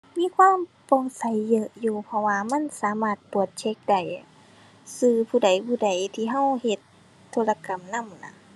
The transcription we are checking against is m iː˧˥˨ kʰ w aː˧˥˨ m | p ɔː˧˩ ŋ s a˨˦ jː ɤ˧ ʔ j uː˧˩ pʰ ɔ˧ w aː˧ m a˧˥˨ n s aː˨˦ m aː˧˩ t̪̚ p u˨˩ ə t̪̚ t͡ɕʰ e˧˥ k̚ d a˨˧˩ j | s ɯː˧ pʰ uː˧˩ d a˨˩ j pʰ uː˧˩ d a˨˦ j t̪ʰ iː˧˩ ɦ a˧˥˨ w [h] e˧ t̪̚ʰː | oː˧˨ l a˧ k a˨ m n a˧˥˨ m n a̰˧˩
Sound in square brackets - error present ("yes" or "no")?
no